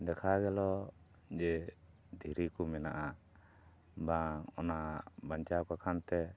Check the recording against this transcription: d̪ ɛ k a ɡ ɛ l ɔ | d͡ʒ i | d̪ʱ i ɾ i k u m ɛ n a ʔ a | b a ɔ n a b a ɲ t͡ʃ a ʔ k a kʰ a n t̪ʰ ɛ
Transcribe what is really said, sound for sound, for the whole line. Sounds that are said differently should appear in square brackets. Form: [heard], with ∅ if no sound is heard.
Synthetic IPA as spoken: d̪ ɛ [kʰ] a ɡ ɛ l ɔ | d͡ʒ [ɛ] | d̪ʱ i ɾ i k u m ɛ n a ʔ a | b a ɔ n a b a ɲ t͡ʃ a [∅] k a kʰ a n [t̪] ɛ

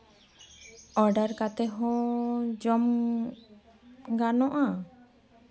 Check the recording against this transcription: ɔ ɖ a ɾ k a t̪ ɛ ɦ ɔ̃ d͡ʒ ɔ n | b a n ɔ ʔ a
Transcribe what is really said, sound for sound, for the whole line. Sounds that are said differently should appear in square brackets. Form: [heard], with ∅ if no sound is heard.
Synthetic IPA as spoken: ɔ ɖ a ɾ k a t̪ ɛ ɦ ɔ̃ d͡ʒ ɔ [m] | [ɡ] a n ɔ ʔ a

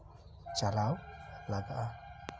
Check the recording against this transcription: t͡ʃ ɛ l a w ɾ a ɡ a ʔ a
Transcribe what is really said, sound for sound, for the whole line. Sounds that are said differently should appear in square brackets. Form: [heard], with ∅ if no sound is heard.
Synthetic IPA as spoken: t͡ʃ [a] l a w [l] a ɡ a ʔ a

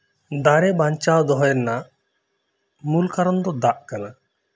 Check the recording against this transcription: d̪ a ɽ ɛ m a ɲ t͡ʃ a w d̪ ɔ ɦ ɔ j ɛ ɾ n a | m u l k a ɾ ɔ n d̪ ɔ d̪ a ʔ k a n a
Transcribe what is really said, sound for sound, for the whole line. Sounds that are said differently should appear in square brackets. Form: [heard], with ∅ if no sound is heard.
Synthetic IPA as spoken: d̪ a [ɾ] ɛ [b] a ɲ t͡ʃ a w d̪ ɔ ɦ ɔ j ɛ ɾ n a | m u l k a ɾ ɔ n d̪ ɔ d̪ a ʔ k a n a

